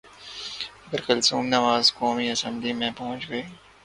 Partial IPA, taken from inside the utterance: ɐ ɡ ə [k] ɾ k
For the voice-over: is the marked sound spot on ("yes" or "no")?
no